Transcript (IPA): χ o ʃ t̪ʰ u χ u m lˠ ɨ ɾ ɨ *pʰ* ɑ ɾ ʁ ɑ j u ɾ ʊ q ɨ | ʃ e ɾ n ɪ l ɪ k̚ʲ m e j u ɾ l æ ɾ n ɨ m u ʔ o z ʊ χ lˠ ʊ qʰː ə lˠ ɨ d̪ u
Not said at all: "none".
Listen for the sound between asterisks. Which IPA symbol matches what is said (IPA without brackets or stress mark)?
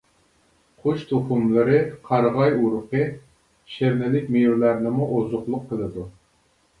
qʰ